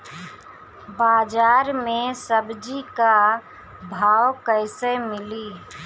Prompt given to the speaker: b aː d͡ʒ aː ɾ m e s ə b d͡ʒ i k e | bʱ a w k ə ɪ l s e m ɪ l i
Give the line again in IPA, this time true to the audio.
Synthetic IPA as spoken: b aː d͡ʒ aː ɾ m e s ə b d͡ʒ i k a | bʱ a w k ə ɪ s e m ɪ l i